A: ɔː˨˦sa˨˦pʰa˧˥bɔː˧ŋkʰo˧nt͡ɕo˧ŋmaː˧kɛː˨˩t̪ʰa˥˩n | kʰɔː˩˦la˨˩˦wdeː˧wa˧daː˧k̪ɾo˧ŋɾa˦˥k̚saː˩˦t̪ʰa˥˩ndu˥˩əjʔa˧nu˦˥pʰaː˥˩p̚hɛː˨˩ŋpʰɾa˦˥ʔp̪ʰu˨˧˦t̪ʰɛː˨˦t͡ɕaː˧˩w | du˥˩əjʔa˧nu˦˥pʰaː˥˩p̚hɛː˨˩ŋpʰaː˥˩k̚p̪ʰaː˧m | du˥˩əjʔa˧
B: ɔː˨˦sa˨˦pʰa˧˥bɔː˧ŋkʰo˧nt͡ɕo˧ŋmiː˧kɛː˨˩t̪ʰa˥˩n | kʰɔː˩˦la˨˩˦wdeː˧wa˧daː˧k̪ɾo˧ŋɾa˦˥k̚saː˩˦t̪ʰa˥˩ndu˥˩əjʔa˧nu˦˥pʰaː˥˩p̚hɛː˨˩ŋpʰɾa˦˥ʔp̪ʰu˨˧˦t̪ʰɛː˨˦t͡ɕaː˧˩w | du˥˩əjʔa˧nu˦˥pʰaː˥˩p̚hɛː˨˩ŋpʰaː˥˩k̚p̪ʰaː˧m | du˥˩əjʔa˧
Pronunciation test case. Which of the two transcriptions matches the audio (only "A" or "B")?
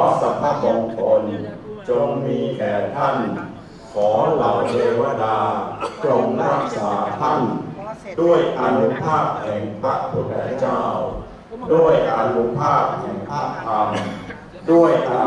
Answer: B